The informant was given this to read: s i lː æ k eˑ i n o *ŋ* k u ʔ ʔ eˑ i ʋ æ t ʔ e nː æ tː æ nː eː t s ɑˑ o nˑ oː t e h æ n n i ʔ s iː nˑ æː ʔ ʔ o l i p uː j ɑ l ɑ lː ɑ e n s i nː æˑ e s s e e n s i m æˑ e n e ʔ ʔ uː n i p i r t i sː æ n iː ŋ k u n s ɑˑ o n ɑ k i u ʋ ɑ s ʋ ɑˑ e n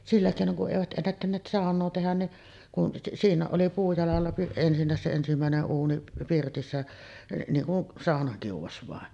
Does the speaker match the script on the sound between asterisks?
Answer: yes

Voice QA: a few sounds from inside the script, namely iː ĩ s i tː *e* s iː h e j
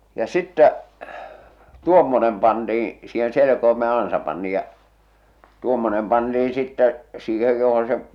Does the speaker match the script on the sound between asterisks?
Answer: no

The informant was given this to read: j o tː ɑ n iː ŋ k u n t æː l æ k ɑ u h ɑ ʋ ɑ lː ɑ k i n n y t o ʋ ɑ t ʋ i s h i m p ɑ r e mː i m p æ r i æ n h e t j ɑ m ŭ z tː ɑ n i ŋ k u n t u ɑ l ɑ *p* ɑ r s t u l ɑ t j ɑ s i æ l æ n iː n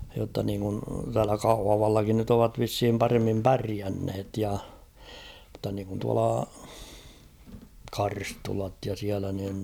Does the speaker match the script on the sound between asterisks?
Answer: no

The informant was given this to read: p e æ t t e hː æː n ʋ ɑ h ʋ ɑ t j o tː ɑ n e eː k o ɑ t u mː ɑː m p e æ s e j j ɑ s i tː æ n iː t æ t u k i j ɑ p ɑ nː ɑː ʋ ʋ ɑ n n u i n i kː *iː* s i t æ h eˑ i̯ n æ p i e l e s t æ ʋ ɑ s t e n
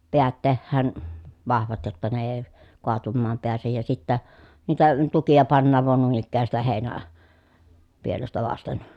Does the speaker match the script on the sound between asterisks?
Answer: no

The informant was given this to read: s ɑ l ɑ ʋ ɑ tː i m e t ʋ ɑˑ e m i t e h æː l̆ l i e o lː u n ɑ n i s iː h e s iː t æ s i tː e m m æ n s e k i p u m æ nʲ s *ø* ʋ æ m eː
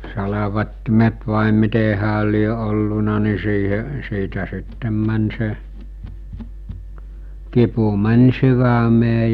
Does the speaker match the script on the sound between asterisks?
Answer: no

